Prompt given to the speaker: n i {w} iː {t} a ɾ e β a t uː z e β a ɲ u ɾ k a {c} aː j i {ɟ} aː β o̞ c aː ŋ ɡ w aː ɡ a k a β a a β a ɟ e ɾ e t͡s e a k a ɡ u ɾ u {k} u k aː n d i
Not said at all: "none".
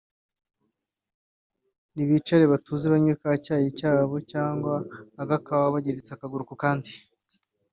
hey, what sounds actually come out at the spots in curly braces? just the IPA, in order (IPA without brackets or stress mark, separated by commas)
β, t͡ʃ, c, c, k